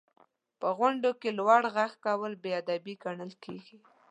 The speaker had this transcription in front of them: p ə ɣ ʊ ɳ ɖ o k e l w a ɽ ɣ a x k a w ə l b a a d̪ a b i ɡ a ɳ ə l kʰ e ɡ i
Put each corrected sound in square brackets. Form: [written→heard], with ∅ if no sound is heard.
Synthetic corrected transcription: p ə ɣ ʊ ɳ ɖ o k e l w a ɽ ɣ a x k a w ə l b [a→e] a d̪ a b i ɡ a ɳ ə l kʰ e ɡ i